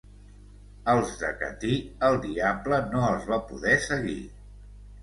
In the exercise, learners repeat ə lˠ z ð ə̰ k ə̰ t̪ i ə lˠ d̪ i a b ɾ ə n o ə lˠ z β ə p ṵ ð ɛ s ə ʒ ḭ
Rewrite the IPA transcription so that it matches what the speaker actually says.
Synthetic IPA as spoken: ə lˠ z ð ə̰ k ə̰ t̪ i ə lˠ d̪ i a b l ə n o ə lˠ z β a p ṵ ð ɛ s ə ɣ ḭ